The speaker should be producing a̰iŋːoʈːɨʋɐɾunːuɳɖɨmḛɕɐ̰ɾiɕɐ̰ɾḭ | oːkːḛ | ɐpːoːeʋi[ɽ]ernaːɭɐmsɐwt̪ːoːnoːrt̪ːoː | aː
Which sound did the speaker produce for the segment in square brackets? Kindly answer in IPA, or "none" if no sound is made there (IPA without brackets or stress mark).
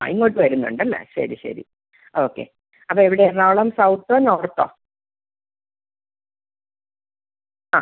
ɽ